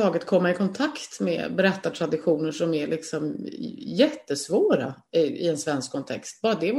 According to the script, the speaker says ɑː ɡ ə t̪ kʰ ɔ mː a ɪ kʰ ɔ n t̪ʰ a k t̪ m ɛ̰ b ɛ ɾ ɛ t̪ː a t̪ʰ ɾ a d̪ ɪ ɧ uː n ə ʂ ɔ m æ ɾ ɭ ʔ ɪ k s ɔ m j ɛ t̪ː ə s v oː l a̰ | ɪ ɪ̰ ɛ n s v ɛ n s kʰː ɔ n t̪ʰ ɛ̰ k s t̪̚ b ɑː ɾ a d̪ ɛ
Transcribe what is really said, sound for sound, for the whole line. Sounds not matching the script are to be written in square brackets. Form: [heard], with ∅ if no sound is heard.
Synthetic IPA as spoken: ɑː ɡ ə t̪ kʰ ɔ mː a ɪ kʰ ɔ n t̪ʰ a k t̪ m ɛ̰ b ɛ ɾ ɛ t̪ː a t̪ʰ ɾ a d̪ ɪ ɧ uː n ə ʂ ɔ m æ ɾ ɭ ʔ ɪ k s ɔ m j ɛ t̪ː ə s v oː [ɾ] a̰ | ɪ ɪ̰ ɛ n s v ɛ n s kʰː ɔ n t̪ʰ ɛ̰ k s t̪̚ b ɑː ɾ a d̪ ɛ